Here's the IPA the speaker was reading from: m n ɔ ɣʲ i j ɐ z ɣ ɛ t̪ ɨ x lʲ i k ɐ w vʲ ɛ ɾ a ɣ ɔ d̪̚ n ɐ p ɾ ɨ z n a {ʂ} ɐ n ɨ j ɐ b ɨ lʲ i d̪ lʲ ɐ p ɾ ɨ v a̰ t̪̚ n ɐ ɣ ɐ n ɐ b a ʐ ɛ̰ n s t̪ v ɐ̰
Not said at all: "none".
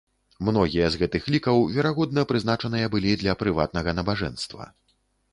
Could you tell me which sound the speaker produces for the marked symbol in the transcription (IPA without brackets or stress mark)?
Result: t͡ʂ